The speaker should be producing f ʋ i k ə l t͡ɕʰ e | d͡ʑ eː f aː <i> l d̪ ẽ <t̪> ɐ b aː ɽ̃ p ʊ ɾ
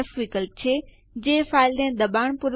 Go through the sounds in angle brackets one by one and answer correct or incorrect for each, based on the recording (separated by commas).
incorrect, incorrect